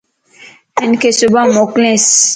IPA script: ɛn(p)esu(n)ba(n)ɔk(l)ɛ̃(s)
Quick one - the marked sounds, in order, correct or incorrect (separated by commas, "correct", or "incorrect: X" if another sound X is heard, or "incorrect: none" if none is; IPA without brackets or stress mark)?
incorrect: k, incorrect: none, incorrect: m, correct, correct